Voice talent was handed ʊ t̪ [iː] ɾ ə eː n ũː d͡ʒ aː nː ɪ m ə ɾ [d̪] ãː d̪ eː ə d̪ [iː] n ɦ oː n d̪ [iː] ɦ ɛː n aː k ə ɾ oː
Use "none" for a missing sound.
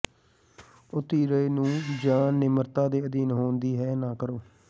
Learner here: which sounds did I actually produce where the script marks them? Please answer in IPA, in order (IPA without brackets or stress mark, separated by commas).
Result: iː, t̪, iː, iː